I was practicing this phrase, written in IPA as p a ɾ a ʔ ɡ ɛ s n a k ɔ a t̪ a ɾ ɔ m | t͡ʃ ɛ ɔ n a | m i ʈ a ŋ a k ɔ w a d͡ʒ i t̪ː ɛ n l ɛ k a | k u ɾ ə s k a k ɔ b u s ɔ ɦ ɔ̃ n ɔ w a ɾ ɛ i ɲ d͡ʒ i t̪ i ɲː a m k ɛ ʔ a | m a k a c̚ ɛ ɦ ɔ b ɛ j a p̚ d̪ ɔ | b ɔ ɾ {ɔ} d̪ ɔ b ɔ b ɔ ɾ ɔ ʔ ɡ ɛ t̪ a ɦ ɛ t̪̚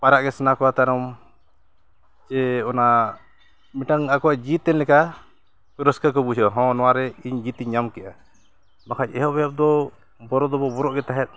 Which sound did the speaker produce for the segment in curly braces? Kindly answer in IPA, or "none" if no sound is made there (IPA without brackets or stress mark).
ɔ